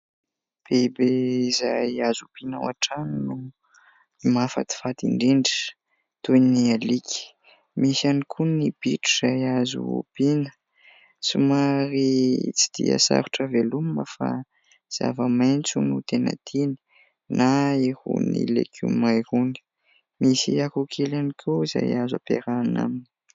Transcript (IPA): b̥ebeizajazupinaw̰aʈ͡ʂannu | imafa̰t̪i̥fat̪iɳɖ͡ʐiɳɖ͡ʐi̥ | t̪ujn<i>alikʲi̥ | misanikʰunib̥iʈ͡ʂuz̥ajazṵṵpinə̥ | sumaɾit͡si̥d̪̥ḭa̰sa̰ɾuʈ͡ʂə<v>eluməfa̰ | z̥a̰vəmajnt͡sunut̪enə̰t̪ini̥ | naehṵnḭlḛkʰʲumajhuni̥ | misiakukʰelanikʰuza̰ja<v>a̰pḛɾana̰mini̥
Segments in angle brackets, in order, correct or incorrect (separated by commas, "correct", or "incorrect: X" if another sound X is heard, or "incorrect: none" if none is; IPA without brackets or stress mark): correct, correct, incorrect: z